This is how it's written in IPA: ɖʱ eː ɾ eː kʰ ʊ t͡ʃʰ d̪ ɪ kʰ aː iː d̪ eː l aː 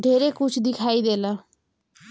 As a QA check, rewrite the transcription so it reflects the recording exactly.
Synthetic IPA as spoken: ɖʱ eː ɾ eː k ʊ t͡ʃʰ d̪ ɪ kʰ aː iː d̪ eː l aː